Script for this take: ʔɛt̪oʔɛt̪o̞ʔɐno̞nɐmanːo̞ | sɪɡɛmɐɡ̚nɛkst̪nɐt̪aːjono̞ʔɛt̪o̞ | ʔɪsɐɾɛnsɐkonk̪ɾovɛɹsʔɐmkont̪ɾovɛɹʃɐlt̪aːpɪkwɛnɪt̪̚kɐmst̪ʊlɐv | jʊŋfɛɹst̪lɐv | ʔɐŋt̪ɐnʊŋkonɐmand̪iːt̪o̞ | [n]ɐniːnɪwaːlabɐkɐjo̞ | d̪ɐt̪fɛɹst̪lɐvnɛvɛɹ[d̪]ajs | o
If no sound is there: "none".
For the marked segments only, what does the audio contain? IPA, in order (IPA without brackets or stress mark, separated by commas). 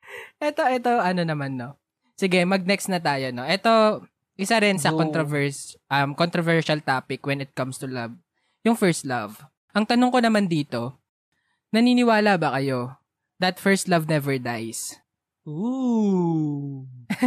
n, d̪